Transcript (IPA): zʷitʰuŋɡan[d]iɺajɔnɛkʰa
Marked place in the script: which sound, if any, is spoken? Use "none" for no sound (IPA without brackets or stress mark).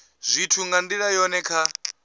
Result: d